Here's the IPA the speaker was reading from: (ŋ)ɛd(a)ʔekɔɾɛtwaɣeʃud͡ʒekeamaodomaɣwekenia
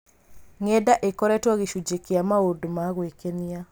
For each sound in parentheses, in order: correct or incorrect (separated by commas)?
correct, correct